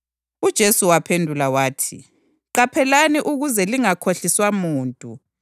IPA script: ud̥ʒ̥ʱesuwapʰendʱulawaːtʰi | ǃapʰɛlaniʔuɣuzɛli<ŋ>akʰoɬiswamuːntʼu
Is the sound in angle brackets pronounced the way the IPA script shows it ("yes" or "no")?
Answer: yes